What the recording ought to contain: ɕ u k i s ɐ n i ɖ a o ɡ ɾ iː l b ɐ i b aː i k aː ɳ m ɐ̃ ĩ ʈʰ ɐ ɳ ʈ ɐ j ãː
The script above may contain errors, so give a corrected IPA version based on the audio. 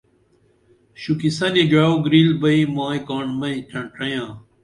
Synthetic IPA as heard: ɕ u k i s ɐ n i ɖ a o ɡ ɾ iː l b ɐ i m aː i k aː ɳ m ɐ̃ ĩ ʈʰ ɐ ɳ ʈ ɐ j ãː